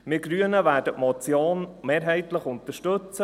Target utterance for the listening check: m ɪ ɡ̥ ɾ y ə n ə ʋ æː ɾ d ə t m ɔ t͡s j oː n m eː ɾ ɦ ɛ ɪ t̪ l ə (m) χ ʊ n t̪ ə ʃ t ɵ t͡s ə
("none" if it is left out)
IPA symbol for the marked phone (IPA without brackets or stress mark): none